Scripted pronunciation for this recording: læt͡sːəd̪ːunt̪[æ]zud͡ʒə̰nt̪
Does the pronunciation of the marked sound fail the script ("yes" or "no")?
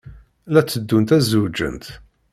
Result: no